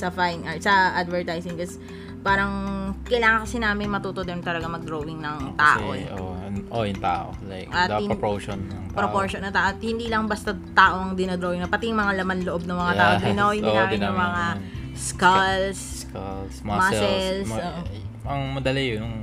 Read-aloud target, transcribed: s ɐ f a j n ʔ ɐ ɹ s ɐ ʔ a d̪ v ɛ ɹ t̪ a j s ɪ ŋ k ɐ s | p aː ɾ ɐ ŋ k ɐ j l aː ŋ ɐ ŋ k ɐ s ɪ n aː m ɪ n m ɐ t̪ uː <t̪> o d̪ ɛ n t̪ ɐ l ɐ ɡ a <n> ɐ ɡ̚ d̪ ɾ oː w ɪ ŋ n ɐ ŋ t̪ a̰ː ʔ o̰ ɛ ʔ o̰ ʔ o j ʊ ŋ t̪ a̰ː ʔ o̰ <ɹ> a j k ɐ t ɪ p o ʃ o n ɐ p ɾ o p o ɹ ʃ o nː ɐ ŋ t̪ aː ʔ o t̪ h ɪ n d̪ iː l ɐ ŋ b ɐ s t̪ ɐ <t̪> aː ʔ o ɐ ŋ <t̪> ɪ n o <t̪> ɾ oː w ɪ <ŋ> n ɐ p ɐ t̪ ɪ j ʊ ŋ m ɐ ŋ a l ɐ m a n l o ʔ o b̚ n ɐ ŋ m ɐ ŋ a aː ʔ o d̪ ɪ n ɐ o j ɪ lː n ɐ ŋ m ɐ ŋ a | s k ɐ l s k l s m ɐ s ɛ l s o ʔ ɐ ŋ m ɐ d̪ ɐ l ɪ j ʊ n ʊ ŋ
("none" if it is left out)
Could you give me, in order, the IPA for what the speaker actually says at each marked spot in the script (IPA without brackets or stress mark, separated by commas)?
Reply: t̪, m, l, t̪, d̪, d̪, ŋ